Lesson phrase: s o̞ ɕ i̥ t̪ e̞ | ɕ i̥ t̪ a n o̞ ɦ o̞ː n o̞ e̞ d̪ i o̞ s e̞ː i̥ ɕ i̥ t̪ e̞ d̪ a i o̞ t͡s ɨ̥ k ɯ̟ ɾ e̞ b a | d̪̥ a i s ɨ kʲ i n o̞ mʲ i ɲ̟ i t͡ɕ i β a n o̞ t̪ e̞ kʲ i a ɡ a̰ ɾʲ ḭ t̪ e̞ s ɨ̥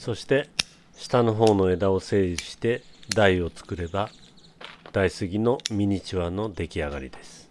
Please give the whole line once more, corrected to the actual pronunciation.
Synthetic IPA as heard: s o̞ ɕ i̥ t̪ e̞ | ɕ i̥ t̪ a n o̞ ɦ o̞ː n o̞ e̞ d̪ a o̞ s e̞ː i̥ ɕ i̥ t̪ e̞ d̪ a i o̞ t͡s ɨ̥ k ɯ̟ ɾ e̞ b a | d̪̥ a i s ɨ ɡʲ i n o̞ mʲ i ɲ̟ i t͡ɕ i β a n o̞ d̪ e̞ kʲ i a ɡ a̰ ɾʲ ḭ d̪ e̞ s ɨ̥

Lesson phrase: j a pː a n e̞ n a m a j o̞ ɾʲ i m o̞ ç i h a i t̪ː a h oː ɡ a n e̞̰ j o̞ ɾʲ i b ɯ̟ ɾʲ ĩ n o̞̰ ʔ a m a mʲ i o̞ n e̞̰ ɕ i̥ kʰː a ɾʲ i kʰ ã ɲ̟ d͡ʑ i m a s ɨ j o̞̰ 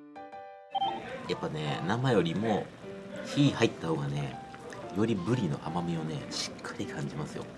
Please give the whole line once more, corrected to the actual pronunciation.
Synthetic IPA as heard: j a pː a n e̞ n a m a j o̞ ɾʲ i m o̞ ç i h a i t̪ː a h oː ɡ a n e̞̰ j o̞ ɾʲ i b ɯ̟ ɾʲ i n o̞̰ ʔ a m a mʲ i o̞ n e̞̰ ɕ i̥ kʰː a ɾʲ i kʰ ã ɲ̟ d͡ʑ i m a s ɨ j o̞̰

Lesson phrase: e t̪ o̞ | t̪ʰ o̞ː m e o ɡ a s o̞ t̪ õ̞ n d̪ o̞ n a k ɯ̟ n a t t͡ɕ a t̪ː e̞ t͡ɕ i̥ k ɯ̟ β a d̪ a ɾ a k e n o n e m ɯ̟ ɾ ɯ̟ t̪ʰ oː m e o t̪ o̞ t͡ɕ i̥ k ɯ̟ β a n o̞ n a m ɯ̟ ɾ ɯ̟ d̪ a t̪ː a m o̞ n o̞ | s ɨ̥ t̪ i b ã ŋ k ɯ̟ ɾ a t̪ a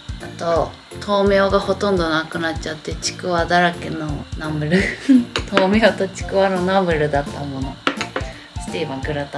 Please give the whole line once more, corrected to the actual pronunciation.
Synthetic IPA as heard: a t̪ o̞ | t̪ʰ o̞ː m e o ɡ a h o̞ t̪ õ̞ n d̪ o̞ n a k ɯ̟ n a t t͡ɕ a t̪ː e̞ t͡ɕ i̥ k ɯ̟ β a d̪ a ɾ a k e n o n a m ɯ̟ ɾ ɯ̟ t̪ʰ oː m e o t̪ o̞ t͡ɕ i̥ k ɯ̟ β a n o̞ n a m ɯ̟ ɾ ɯ̟ d̪ a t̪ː a m o̞ n o̞ | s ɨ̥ t̪ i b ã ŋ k ɯ̟ ɾ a t̪ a

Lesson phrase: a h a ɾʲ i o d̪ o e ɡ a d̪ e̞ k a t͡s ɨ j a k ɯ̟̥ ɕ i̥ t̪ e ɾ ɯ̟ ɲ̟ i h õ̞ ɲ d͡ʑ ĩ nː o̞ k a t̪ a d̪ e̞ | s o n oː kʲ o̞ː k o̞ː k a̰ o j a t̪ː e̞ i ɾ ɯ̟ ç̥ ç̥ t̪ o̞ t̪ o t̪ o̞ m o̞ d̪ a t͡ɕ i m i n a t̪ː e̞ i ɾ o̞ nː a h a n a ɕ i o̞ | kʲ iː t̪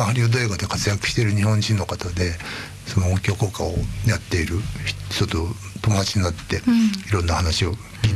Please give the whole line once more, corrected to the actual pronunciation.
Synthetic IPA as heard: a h a ɾʲ i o d̪ o e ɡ a d̪ e̞ k a t͡s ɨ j a k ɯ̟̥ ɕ i̥ t̪ e ɾ ɯ̟ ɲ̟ i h õ̞ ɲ d͡ʑ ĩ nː o̞ k a t̪ a d̪ e̞ | s o n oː kʲ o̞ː k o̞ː k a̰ o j a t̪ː e̞ i ɾ ɯ̟ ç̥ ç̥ t̪ o̞ t̪ o t̪ o̞ m o̞ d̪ a t͡ɕ i ɲ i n a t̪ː e̞ i ɾ õ̞ nː a h a n a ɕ i o̞ | kʲ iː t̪

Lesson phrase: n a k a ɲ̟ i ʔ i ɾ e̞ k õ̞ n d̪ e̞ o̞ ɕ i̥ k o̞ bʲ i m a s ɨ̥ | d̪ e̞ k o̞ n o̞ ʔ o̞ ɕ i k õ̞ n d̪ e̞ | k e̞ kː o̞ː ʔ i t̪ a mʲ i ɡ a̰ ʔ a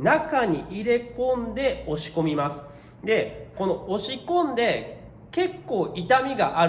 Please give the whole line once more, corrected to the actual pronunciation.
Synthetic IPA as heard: n a k a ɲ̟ i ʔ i ɾ e̞ k õ̞ n d̪ e̞ o̞ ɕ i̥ k o̞ mʲ i m a s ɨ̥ | d̪ e̞ k o̞ n o̞ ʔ o̞ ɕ i k õ̞ n d̪ e̞ | k e̞ kː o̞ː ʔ i t̪ a mʲ i ɡ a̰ ʔ a

